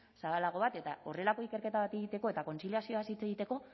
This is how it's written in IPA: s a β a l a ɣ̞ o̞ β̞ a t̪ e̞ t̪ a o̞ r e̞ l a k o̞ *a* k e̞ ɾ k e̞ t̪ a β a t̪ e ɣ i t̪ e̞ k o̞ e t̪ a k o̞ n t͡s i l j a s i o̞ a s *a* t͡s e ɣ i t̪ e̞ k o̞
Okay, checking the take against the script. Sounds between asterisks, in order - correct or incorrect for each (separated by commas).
incorrect, incorrect